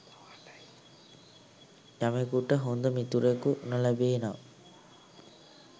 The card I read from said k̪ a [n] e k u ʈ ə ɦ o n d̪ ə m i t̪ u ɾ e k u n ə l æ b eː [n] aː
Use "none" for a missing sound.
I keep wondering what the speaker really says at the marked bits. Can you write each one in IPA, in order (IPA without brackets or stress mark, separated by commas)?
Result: m, n